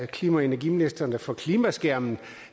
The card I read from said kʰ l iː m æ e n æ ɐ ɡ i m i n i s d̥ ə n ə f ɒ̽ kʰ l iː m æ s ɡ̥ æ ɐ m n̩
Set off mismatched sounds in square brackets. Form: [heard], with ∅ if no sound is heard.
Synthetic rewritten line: kʰ l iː m æ e n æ ɐ ɡ i m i n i s d̥ [ɐ] n ə f ɒ̽ kʰ l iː m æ s ɡ̥ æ ɐ m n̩